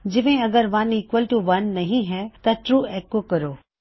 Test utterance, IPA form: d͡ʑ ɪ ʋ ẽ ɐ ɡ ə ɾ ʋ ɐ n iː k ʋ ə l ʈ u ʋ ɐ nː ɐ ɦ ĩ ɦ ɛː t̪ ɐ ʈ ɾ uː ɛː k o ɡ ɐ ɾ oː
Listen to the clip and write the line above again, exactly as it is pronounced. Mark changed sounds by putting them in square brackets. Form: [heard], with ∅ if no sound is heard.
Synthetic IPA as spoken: d͡ʑ ɪ ʋ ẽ ɐ ɡ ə ɾ ʋ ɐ n iː k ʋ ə l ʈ u ʋ ɐ nː ɐ ɦ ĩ ɦ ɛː t̪ ɐ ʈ ɾ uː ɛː k o [k] ɐ ɾ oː